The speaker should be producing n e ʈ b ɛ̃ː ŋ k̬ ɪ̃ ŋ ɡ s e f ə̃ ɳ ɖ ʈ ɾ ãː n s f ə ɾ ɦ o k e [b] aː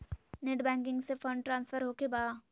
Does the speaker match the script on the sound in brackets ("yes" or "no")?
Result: yes